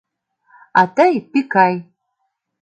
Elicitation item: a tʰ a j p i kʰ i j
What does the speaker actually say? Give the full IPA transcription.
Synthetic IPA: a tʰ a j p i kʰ a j